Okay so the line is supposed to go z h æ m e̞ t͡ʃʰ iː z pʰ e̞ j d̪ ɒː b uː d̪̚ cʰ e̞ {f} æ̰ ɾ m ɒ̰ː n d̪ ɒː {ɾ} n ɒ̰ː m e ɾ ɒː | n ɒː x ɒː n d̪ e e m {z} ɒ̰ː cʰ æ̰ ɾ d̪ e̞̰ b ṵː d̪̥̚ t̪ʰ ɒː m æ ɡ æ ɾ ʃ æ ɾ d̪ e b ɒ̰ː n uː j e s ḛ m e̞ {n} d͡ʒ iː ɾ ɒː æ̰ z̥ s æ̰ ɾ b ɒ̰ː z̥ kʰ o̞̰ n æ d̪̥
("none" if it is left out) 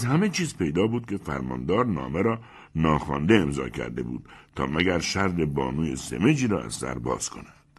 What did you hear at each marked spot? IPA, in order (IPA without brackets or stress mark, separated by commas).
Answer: f, ɾ, z, none